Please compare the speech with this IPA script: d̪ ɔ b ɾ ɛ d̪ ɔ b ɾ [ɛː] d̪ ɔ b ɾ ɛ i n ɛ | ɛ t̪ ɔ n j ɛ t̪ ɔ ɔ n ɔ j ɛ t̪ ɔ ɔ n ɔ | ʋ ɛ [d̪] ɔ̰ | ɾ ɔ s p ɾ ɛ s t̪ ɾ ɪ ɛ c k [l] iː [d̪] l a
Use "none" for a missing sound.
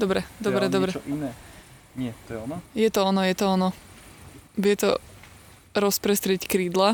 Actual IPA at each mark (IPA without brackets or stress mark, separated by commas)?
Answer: ɛ, t̪, ɾ, d̪